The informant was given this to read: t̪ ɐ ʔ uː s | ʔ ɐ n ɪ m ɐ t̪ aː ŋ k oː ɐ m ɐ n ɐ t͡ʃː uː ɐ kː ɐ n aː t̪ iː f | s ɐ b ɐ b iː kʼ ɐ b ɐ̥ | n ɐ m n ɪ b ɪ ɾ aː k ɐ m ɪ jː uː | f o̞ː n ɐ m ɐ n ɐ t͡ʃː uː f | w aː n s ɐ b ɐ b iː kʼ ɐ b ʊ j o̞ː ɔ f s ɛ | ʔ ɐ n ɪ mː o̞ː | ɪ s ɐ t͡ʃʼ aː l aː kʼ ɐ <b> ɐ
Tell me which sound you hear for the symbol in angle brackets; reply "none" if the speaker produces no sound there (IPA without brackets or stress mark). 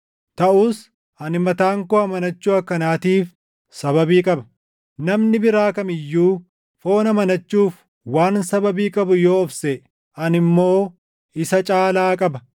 b